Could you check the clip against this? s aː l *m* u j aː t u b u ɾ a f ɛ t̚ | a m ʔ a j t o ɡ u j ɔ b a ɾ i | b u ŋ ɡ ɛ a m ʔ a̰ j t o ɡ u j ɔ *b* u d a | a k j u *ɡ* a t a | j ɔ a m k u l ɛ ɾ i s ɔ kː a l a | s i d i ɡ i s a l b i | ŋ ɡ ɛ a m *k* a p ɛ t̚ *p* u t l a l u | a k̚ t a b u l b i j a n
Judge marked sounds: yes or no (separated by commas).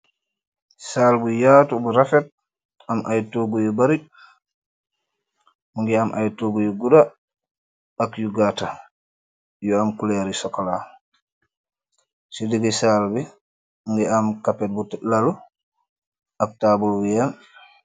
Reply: no, no, yes, yes, no